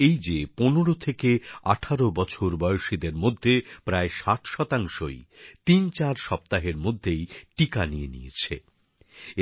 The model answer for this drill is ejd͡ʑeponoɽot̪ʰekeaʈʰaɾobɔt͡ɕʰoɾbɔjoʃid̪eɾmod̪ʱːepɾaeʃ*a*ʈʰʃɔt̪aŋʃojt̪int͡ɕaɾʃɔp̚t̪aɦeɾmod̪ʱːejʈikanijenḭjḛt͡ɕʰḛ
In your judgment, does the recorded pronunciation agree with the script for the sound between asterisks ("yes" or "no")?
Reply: yes